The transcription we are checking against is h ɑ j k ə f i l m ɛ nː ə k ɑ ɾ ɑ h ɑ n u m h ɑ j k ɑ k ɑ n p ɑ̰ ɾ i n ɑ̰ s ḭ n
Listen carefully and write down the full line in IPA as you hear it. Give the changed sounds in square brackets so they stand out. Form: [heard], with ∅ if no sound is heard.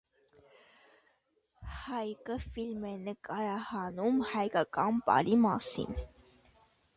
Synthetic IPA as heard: h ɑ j k ə f i l m ɛ [n] ə k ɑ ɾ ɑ h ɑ n u m h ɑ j k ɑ k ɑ n p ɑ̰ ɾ i [m] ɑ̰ s ḭ n